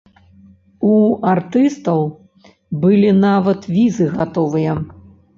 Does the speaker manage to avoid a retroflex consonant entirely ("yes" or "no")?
yes